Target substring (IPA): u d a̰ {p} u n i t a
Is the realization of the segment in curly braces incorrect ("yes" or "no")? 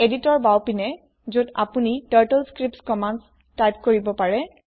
no